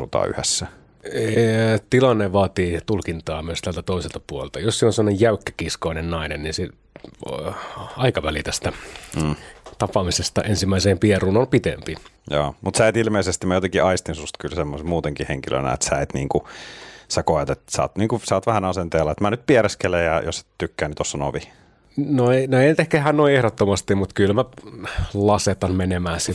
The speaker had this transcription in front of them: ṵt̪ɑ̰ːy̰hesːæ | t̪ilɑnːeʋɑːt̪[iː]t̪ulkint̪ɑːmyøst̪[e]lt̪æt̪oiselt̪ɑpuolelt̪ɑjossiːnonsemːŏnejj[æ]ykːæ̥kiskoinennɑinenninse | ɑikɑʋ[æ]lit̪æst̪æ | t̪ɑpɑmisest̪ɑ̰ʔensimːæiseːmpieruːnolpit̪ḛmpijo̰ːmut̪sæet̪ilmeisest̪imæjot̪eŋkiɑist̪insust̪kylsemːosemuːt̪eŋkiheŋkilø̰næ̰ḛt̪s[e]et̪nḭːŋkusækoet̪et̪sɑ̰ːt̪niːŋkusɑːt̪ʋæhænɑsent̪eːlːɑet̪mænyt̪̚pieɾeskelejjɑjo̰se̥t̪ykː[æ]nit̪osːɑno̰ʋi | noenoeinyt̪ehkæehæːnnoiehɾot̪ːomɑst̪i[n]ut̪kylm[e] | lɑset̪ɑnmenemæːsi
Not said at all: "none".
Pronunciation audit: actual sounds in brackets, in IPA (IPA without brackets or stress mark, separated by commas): iː, æ, æ, æ, æ, æː, m, æ